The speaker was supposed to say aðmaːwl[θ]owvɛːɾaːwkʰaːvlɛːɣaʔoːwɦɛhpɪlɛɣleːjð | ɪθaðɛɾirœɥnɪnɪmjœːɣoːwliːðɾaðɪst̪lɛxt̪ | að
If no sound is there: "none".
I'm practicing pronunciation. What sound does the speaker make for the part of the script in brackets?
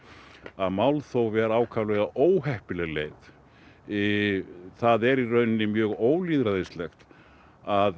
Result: θ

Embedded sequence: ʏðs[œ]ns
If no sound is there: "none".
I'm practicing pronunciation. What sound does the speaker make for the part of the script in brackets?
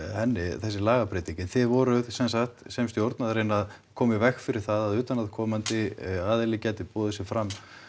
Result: ɛ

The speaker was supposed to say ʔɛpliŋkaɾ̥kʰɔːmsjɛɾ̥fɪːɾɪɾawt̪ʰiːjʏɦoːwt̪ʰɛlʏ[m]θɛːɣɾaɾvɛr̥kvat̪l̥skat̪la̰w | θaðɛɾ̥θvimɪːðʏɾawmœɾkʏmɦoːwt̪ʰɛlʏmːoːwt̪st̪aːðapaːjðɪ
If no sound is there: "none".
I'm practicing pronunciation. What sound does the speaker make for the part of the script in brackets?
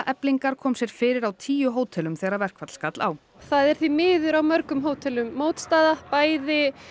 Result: m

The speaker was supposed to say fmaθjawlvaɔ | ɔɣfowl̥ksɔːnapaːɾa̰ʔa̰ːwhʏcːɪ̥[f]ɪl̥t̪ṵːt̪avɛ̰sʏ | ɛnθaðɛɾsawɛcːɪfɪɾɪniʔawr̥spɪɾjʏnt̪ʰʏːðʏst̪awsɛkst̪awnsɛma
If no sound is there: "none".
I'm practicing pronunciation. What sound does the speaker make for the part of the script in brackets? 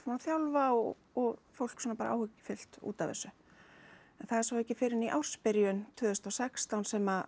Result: f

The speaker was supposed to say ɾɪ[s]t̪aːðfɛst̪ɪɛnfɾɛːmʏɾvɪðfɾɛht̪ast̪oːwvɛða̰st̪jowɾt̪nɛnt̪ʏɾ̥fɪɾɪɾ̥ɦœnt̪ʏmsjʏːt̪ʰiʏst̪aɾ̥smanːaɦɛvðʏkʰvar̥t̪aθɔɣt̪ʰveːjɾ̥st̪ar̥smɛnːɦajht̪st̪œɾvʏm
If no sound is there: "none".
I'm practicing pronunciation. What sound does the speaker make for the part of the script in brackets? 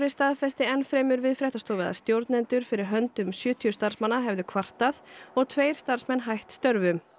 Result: s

